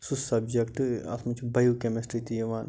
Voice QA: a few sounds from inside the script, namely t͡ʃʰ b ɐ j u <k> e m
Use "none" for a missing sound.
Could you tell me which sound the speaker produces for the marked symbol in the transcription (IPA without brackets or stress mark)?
k